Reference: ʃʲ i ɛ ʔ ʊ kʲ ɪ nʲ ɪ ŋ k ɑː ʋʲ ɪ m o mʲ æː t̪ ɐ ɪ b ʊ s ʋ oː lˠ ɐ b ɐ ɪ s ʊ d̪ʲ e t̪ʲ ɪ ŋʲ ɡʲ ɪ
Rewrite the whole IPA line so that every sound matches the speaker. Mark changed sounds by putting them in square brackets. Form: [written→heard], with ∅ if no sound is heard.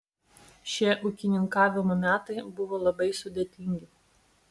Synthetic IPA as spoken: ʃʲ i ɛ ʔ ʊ kʲ ɪ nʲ ɪ ŋ k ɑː ʋʲ ɪ m o mʲ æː t̪ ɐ ɪ b ʊ [s→∅] ʋ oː lˠ ɐ b ɐ ɪ s ʊ d̪ʲ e t̪ʲ ɪ ŋʲ ɡʲ ɪ